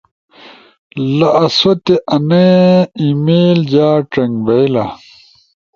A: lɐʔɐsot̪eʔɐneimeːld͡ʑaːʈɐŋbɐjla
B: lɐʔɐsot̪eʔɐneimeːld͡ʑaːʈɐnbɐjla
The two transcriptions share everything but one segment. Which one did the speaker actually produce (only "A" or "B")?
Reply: A